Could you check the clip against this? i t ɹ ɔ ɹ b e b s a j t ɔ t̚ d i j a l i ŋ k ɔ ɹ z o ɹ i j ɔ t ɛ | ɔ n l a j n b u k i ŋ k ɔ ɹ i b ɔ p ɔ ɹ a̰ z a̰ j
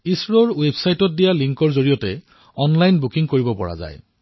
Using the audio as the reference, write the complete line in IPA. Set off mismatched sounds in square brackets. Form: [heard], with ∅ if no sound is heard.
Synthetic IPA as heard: i [s] ɹ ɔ ɹ [w] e b s a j t ɔ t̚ d i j a l i ŋ k ɔ ɹ z o ɹ i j ɔ t ɛ | ɔ n l a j n b u k i ŋ k [o] ɹ i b ɔ p ɔ ɹ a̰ z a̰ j